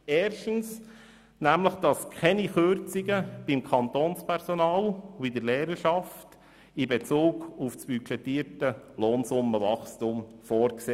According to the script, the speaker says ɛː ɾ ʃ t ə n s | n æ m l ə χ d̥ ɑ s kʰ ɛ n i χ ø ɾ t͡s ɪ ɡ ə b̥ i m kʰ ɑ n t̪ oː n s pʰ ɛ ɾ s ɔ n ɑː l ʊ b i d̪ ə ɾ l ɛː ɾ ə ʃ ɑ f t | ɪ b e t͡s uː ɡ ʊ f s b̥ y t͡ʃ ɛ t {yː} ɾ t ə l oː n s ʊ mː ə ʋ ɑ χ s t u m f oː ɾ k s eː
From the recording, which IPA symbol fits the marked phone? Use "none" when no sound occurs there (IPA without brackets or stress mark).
iː